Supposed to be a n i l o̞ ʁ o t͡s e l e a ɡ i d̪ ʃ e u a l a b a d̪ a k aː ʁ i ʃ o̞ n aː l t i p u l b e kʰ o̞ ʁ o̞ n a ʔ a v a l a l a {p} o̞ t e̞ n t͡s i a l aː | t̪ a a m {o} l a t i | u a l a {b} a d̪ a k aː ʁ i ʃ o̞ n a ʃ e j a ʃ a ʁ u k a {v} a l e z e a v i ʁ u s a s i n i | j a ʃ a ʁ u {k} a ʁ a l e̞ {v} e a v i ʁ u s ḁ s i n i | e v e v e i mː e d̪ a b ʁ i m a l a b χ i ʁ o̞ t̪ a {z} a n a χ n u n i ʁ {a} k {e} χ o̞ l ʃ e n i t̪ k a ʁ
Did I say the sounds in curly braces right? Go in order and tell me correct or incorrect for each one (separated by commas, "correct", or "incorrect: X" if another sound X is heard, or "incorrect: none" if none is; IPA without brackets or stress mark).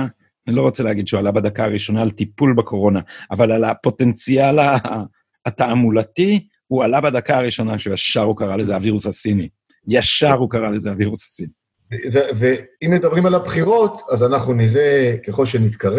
correct, incorrect: u, correct, incorrect: ʁ, correct, incorrect: z, correct, incorrect: e, correct